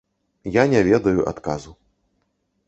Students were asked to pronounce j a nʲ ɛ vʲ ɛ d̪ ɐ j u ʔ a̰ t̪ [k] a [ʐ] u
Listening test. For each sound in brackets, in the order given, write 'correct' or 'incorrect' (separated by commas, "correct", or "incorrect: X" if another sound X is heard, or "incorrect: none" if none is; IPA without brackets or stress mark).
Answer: correct, incorrect: z